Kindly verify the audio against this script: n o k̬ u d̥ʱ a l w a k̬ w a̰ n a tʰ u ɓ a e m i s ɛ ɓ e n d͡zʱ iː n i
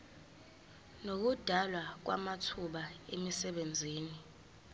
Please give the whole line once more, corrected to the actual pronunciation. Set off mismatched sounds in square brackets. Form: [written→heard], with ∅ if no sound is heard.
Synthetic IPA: n o k̬ u d̥ʱ a l w a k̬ w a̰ [n→m] a tʰ u ɓ a e m i s ɛ ɓ e n d͡zʱ iː n i